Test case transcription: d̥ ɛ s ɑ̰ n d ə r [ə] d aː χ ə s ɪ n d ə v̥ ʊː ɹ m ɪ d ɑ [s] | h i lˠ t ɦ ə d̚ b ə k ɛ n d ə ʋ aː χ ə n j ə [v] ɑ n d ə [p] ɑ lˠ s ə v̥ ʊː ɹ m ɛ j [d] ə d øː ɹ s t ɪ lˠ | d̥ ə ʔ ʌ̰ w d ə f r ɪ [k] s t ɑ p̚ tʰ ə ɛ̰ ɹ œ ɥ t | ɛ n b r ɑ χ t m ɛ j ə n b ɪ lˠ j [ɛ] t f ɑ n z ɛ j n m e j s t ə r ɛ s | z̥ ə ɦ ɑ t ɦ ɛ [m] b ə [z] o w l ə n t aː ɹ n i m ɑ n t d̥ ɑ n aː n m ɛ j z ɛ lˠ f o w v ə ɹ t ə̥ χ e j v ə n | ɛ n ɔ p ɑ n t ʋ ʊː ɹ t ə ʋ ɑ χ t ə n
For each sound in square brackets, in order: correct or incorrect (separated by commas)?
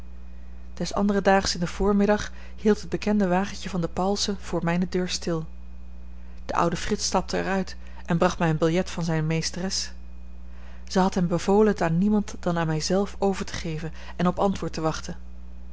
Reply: correct, incorrect, correct, correct, incorrect, incorrect, correct, correct, incorrect